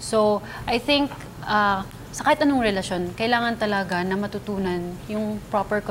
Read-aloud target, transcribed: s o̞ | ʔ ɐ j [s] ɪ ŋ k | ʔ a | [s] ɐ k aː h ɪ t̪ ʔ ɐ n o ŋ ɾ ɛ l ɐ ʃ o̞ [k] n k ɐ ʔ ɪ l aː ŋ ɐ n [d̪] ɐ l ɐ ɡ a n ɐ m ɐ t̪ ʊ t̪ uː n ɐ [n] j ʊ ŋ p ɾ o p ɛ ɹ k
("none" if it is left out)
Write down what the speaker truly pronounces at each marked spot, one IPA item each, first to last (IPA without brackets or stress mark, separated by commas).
θ, s, none, t̪, n